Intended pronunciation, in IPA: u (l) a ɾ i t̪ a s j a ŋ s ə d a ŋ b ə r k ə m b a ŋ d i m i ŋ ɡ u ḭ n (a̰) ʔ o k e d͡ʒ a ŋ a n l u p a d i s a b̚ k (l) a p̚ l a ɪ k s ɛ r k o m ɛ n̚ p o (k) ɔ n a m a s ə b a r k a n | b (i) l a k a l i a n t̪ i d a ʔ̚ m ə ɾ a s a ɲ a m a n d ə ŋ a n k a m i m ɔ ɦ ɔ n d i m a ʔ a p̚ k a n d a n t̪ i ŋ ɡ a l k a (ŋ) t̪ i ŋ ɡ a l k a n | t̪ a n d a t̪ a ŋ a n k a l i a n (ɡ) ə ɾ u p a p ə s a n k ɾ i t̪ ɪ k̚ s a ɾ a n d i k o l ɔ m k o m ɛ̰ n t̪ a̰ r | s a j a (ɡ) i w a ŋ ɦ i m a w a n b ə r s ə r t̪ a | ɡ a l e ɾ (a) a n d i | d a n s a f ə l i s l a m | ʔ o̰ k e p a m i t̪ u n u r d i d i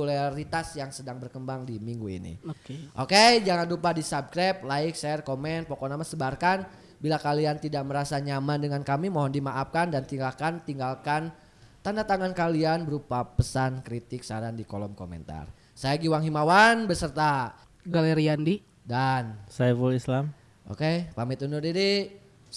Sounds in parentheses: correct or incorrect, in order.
correct, incorrect: ḭ, incorrect: ɾ, correct, correct, incorrect: n, incorrect: b, correct, incorrect: i

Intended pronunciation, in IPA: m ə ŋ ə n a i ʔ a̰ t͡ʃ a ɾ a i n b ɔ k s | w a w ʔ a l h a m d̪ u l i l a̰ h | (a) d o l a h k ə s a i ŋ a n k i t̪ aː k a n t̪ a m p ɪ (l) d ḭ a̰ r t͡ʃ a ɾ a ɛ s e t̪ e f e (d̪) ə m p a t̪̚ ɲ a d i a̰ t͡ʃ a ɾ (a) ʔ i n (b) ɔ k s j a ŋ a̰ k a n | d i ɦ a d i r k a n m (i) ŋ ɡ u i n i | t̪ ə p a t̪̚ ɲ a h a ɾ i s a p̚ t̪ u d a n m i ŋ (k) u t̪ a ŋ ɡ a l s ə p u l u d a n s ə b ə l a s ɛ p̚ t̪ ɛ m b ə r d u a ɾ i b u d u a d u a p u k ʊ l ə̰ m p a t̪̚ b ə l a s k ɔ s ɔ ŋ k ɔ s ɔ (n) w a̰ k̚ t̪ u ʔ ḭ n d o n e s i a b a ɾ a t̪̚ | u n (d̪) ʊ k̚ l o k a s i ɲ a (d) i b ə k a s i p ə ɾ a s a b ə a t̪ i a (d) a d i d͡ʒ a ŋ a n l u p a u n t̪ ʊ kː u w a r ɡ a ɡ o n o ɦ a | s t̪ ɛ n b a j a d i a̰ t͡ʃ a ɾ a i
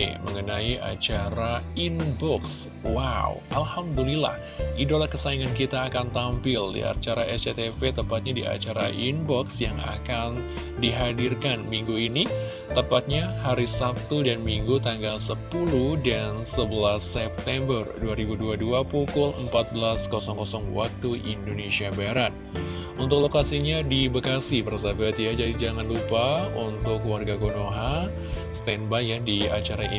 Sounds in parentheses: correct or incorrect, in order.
incorrect: i, correct, incorrect: t̪, correct, correct, correct, incorrect: ɡ, incorrect: ŋ, incorrect: t̪, correct, incorrect: d͡ʒ

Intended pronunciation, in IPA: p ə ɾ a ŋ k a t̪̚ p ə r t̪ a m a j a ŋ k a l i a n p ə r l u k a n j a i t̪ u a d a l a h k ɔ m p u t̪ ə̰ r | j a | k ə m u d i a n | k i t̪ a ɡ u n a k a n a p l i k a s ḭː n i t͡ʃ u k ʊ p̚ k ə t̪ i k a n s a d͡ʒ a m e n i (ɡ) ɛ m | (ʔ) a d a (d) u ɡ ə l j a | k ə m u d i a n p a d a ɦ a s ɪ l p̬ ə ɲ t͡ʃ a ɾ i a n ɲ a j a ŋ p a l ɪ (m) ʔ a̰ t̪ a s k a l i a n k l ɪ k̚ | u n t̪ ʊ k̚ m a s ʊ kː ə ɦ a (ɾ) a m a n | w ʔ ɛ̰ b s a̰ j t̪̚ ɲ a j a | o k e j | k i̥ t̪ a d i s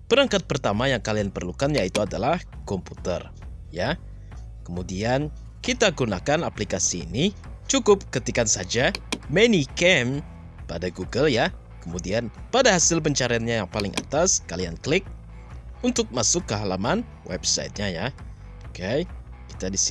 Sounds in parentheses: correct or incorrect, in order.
incorrect: k, incorrect: p, incorrect: ɡ, incorrect: ŋ, incorrect: l

